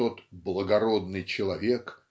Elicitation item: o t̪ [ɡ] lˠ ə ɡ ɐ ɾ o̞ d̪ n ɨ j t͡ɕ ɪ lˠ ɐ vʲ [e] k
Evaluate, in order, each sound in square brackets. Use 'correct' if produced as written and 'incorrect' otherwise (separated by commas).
incorrect, correct